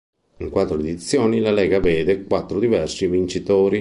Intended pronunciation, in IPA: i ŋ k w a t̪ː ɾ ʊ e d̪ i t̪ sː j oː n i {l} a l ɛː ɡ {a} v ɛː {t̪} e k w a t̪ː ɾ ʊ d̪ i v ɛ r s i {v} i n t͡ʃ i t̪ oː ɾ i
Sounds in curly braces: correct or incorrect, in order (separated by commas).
correct, correct, incorrect, correct